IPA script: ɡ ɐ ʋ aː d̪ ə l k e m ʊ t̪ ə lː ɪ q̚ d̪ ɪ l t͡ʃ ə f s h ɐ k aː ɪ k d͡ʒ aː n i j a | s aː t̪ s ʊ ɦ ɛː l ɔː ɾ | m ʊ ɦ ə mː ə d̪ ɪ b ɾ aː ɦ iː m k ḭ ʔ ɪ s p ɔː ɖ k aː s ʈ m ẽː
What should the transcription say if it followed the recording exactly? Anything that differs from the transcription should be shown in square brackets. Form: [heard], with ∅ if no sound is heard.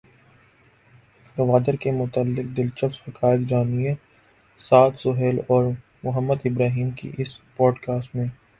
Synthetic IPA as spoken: ɡ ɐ ʋ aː d̪ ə [ɾ] k e m ʊ t̪ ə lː ɪ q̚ d̪ ɪ l t͡ʃ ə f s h ɐ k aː ɪ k d͡ʒ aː n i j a | s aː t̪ s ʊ ɦ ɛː l ɔː ɾ | m ʊ ɦ ə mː ə d̪ ɪ b ɾ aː ɦ iː m k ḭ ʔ ɪ s p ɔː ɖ k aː s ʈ m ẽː

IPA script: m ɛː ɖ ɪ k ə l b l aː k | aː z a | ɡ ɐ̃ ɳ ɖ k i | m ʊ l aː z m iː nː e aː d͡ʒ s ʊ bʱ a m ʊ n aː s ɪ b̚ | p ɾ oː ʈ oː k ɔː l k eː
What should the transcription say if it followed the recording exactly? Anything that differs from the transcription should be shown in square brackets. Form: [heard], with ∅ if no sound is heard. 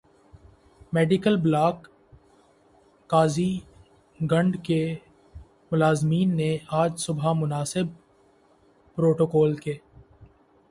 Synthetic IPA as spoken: m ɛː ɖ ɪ k ə l b l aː k | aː z [i] | ɡ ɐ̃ ɳ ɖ k [e] | m ʊ l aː z m iː nː e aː d͡ʒ s ʊ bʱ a m ʊ n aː s ɪ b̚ | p ɾ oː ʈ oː k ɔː l k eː

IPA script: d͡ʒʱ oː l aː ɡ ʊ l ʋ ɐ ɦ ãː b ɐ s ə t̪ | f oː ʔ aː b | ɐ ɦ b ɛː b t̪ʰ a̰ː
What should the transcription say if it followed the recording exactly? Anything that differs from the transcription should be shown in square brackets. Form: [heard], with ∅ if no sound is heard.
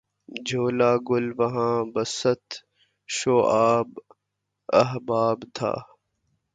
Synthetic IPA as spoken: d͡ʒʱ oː l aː ɡ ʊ l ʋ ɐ ɦ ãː b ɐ s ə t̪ | [ʃ] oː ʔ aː b | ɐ ɦ b [aː] b t̪ʰ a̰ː

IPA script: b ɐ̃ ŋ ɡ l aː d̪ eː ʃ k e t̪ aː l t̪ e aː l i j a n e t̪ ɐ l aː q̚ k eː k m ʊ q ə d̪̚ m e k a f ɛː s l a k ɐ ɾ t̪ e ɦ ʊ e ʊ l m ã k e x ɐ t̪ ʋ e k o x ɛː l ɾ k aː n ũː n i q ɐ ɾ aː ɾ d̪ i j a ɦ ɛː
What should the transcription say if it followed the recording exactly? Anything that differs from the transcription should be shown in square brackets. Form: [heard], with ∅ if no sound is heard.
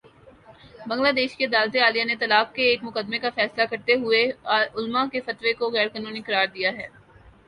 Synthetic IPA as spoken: b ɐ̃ ŋ ɡ l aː d̪ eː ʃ k e [d̪] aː l t̪ e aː l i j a n e t̪ ɐ l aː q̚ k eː k m ʊ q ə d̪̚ m e k a f ɛː s l a k ɐ ɾ t̪ e ɦ ʊ e ʊ l m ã k e [f] ɐ t̪ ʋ e k o [ɣ] ɛː [∅] ɾ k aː n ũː n i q ɐ ɾ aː ɾ d̪ i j a ɦ ɛː

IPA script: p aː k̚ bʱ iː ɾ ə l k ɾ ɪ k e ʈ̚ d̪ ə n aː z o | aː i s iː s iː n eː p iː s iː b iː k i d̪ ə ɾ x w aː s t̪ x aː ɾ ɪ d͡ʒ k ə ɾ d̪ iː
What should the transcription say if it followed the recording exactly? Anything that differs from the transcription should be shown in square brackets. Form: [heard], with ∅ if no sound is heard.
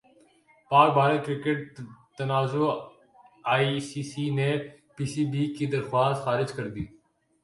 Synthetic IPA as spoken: p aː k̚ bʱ [aː] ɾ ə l k ɾ ɪ k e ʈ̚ [t̪] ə n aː z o | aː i s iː s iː n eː p iː s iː b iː k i d̪ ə ɾ x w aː s t̪ x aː ɾ ɪ d͡ʒ k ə ɾ d̪ iː

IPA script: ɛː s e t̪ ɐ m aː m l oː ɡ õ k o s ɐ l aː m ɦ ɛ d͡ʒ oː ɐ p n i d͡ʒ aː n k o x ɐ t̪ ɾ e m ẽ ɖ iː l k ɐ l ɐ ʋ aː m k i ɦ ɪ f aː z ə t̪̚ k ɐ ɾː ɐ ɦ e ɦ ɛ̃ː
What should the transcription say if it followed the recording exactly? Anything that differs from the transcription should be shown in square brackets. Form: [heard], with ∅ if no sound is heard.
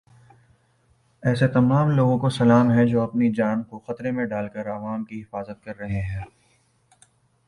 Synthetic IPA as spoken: ɛː s e t̪ ɐ m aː m l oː ɡ õ k o s ɐ l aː m ɦ ɛ d͡ʒ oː ɐ p n i d͡ʒ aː n k o x ɐ t̪ ɾ e m ẽ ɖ [aː] l k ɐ [ɾ] ɐ ʋ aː m k i ɦ ɪ f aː z ə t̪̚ k ɐ ɾː ɐ ɦ e ɦ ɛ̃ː

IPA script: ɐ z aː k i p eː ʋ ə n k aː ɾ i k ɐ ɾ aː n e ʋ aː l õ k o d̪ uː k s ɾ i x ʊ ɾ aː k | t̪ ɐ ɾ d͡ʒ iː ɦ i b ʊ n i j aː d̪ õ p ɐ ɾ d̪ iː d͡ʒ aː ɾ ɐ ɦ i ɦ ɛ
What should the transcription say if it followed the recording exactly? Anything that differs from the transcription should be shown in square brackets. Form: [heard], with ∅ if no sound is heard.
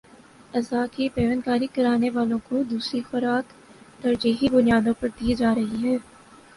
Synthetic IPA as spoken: ɐ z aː k i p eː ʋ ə n k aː ɾ i k ɐ ɾ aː n e ʋ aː l õ k o d̪ uː [∅] s ɾ i x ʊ ɾ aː k | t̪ ɐ ɾ d͡ʒ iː ɦ i b ʊ n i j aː d̪ õ p ɐ ɾ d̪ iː d͡ʒ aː ɾ ɐ ɦ i ɦ [ɛː]

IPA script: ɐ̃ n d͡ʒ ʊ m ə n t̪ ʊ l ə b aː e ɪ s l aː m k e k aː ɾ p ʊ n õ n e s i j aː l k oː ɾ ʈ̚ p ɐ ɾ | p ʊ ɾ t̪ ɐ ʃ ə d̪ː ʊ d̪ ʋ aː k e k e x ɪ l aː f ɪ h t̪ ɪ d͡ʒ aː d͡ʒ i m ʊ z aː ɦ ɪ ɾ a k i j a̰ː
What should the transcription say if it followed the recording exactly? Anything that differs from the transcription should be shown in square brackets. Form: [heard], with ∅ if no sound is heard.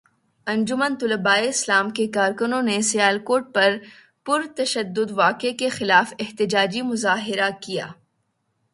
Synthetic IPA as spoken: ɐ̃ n d͡ʒ ʊ m ə n t̪ ʊ l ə b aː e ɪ s l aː m k e k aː ɾ [k] ʊ n õ n e s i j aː l k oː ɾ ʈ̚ p ɐ ɾ | p ʊ ɾ t̪ ɐ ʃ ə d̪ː ʊ d̪ ʋ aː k e k e x ɪ l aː f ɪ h t̪ ɪ d͡ʒ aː d͡ʒ i m ʊ z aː ɦ ɪ ɾ a k i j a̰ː

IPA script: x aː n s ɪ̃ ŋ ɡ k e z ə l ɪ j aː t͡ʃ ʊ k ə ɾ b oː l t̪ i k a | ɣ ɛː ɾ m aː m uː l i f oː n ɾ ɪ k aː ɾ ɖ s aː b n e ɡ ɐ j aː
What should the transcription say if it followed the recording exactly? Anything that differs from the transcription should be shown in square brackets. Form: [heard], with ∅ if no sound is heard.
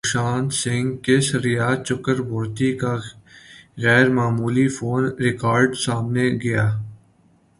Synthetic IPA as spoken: [ʃ] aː n s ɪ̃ ŋ ɡ k e [s] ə [ɾ] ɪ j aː t͡ʃ ʊ k ə ɾ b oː [ɾ] t̪ i k a | ɣ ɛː ɾ m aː m uː l i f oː n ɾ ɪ k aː ɾ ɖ s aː [m] n e ɡ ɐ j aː

